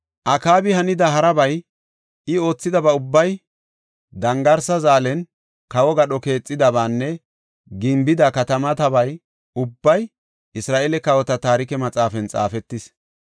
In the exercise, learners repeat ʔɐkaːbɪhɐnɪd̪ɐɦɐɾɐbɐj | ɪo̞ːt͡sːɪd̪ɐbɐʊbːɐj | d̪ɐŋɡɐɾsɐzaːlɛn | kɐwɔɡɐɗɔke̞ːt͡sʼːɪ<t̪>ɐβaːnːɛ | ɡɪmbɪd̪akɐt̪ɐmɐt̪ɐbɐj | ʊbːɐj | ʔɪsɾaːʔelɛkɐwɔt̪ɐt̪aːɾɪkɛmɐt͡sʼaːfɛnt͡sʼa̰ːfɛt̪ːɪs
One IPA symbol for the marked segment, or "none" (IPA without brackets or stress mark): d̪